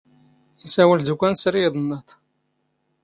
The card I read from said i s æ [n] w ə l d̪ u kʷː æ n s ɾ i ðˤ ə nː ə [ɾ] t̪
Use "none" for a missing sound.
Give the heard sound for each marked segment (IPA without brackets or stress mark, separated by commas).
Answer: none, none